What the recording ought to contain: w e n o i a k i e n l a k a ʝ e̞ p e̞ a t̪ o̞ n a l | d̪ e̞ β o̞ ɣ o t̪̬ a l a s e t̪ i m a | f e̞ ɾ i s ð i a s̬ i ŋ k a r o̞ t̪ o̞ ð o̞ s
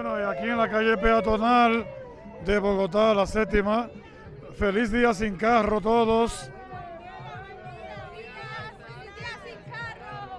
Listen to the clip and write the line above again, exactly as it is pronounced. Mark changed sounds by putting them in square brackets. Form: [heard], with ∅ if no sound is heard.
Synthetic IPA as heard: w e n o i a k i e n l a k a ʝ e̞ p e̞ a t̪ o̞ n a l | d̪ e̞ β o̞ ɣ o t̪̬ a l a s e t̪ i m a | f e̞ [l] i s ð i a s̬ i ŋ k a r o̞ t̪ o̞ ð o̞ s